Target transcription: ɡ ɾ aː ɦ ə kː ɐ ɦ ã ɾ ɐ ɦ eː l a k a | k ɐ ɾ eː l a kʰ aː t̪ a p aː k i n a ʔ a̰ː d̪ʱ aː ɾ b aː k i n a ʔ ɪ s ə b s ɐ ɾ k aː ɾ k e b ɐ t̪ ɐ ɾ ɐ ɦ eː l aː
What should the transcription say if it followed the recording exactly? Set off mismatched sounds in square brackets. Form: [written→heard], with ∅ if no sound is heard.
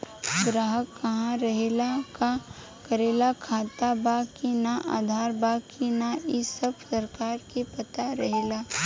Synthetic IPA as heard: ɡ ɾ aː ɦ ə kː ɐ ɦ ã ɾ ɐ ɦ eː l a k a | k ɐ ɾ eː l a kʰ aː t̪ a [p→b] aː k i n a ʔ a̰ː d̪ʱ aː ɾ b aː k i n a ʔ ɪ s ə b s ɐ ɾ k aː ɾ k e [b→p] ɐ t̪ [ɐ→a] ɾ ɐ ɦ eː l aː